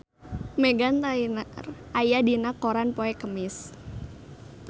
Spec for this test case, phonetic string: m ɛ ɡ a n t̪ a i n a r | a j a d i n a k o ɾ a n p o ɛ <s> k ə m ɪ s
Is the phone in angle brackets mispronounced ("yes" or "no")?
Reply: yes